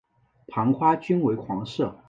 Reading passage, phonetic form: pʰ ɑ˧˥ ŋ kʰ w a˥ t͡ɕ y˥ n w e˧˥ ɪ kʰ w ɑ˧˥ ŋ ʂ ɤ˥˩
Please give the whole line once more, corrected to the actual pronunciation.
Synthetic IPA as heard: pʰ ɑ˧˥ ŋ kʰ w a˥ t͡ɕ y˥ n w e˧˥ ɪ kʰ w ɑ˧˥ ŋ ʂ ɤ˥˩